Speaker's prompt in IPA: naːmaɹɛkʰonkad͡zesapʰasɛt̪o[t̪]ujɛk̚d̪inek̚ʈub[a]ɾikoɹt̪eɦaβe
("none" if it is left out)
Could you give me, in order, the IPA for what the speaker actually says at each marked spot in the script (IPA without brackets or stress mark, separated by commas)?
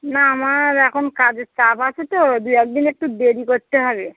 d̪, e